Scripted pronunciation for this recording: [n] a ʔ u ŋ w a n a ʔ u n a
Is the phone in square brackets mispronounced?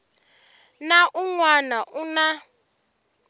no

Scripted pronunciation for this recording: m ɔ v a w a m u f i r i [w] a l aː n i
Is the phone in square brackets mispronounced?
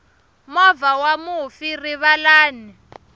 yes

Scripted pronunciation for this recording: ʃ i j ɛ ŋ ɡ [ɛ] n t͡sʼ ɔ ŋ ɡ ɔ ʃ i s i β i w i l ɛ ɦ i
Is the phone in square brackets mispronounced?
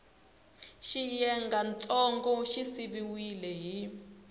yes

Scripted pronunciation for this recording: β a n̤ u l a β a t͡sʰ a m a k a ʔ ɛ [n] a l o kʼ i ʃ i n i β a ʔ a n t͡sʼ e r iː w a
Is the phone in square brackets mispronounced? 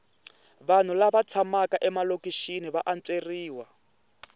yes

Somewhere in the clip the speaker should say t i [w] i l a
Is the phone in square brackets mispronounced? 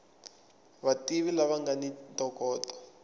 yes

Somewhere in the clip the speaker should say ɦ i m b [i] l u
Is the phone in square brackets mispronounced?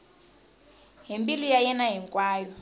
no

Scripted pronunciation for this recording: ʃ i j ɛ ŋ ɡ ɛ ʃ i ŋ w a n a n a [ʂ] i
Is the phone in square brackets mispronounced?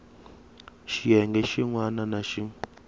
yes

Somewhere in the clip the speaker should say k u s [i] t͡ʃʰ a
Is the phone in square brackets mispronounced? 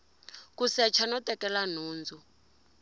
yes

